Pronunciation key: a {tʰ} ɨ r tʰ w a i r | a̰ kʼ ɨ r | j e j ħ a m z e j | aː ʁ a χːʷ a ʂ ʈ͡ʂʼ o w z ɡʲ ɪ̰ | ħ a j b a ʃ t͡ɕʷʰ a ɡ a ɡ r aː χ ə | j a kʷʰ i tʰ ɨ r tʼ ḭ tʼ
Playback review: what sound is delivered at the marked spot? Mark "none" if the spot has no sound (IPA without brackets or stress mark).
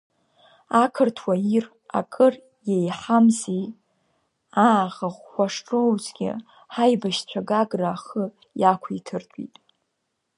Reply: kʰ